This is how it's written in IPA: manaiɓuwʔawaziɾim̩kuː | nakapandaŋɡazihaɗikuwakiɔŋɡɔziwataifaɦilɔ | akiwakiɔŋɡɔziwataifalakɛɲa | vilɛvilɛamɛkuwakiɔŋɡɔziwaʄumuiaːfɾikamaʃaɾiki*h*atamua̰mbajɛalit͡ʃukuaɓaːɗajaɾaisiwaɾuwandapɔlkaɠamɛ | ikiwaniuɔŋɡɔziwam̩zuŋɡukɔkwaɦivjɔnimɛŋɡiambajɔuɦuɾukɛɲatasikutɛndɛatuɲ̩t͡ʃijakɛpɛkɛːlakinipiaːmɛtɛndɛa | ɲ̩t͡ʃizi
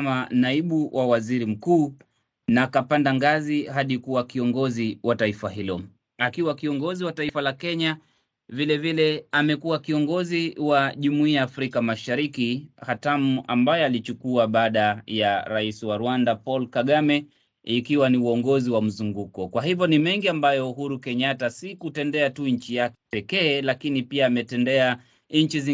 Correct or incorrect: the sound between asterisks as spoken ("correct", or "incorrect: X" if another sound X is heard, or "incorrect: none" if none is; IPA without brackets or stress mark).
correct